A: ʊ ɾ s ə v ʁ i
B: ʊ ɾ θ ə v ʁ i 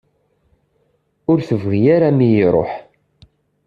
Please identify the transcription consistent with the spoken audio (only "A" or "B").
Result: B